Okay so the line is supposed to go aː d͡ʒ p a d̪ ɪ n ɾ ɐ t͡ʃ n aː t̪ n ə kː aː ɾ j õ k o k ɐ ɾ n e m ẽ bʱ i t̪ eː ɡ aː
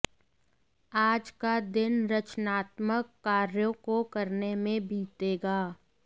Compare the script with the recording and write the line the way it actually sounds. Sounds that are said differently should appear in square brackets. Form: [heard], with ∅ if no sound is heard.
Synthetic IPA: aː d͡ʒ [k] a d̪ ɪ n ɾ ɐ t͡ʃ n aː t̪ [m] ə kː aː ɾ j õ k o k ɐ ɾ n e m ẽ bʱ [iː] t̪ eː ɡ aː